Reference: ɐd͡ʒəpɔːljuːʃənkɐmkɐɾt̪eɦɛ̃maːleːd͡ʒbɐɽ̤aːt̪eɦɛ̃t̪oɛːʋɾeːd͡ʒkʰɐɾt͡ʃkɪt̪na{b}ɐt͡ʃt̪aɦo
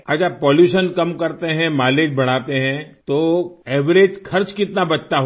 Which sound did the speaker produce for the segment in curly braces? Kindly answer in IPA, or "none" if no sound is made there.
b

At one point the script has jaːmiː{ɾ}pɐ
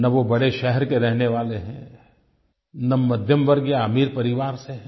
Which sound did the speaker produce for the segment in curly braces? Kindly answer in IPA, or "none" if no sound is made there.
ɾ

